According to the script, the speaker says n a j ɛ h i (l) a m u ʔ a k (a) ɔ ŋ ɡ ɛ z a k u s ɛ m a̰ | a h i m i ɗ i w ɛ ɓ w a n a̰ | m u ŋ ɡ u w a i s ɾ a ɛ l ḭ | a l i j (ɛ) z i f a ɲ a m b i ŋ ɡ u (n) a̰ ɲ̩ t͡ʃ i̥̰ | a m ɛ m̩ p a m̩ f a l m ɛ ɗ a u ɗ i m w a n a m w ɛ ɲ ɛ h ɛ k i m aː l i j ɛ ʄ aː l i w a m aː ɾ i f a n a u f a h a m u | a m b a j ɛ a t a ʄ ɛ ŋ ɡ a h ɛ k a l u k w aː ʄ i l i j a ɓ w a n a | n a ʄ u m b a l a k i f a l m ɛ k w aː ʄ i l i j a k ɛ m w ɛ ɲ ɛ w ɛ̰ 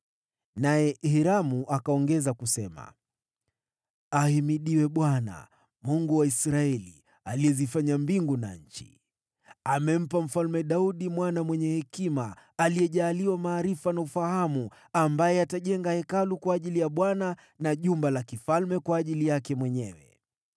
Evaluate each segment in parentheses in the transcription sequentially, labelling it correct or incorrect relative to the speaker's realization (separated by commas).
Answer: incorrect, correct, correct, correct